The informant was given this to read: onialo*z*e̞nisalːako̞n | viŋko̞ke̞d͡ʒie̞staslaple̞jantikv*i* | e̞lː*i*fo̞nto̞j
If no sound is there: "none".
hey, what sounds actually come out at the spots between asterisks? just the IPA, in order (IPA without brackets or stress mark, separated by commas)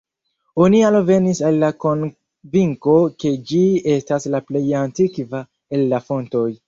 v, a, a